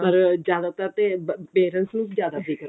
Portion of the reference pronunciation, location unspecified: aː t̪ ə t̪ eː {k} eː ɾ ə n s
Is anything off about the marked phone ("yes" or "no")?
yes